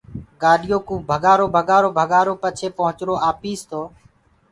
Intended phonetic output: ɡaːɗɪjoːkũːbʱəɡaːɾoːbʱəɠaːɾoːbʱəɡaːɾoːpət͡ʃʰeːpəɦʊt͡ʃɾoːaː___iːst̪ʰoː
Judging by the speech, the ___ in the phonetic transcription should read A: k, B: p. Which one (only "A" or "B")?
B